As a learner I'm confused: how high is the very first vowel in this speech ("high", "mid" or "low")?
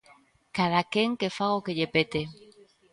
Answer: low